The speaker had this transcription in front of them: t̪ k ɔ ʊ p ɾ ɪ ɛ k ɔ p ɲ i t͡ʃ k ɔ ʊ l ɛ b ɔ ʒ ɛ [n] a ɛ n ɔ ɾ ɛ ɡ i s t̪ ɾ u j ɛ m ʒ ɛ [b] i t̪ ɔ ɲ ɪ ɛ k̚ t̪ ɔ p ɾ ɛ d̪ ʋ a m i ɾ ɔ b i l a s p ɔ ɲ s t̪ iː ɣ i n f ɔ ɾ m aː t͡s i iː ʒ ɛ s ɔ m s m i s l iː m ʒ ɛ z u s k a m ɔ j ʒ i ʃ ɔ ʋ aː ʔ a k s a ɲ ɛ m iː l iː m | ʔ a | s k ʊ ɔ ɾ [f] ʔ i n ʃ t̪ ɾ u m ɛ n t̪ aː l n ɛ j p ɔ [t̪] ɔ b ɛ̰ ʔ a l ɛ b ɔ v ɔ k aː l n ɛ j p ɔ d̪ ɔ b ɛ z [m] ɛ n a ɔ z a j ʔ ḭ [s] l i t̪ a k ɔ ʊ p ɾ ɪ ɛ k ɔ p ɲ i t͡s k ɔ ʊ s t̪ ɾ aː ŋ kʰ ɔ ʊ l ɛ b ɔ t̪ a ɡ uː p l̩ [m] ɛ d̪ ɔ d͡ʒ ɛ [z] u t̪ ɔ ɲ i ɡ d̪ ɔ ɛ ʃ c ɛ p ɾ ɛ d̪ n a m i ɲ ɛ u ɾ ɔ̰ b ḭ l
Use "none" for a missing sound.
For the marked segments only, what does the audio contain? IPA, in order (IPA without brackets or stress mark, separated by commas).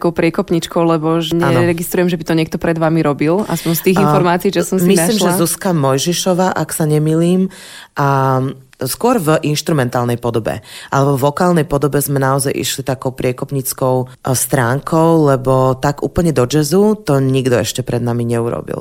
ɲ, b, v, d̪, m, ʃ, ɲ, z